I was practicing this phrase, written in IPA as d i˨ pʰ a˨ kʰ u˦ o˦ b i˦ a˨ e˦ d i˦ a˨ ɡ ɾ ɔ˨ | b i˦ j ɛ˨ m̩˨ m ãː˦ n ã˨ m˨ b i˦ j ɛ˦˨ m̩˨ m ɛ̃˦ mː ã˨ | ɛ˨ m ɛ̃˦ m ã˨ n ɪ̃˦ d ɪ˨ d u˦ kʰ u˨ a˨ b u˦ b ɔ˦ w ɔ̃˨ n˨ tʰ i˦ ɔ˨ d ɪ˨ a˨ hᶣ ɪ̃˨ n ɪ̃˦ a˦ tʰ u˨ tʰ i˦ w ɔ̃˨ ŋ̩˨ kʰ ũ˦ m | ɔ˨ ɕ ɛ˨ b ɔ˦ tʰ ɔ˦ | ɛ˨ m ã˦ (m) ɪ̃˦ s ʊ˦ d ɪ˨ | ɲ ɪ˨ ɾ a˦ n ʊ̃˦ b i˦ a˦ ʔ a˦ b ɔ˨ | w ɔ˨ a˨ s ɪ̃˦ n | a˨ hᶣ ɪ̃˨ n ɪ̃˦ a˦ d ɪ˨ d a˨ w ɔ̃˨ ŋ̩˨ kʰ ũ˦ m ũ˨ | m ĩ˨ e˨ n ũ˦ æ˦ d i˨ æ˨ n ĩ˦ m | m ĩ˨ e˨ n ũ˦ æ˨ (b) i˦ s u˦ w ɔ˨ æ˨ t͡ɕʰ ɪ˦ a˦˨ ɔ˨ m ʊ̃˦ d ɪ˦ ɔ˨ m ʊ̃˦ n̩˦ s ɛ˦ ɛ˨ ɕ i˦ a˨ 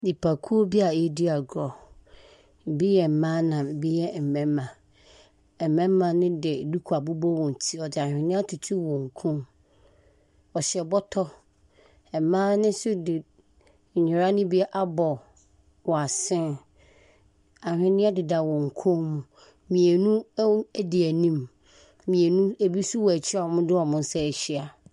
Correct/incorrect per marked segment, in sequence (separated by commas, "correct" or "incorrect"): incorrect, correct